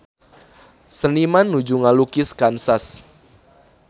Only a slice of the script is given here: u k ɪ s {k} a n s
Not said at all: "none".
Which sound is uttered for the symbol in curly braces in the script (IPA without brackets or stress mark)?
k